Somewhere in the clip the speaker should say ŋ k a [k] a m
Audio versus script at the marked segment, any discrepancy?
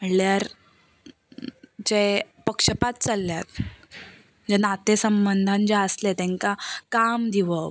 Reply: no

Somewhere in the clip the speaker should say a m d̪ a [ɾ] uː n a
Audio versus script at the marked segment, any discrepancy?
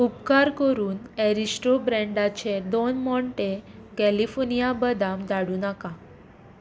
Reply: yes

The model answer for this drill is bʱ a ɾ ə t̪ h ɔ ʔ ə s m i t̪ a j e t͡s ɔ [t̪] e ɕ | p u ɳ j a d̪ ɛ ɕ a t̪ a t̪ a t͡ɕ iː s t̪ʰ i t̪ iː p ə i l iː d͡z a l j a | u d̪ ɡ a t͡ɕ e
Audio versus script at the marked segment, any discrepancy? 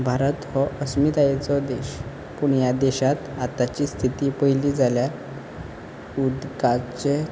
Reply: yes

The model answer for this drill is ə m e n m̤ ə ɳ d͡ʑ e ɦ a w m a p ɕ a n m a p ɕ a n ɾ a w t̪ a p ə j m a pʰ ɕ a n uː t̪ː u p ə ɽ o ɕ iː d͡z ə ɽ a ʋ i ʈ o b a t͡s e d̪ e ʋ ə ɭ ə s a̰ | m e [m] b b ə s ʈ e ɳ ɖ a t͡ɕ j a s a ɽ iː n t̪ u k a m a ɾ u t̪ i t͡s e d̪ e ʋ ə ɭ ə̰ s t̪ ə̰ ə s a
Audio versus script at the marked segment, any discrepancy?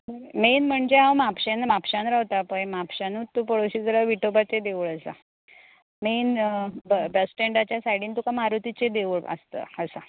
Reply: yes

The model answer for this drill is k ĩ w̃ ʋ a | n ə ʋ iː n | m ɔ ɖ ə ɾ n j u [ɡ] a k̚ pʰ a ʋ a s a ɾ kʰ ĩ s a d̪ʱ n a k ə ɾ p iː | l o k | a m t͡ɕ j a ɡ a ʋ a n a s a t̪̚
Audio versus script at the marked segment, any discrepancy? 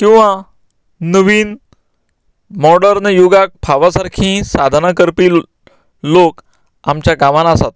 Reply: no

